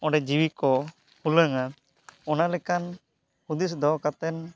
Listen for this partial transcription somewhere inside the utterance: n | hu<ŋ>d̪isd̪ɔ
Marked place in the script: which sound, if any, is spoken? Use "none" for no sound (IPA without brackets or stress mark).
none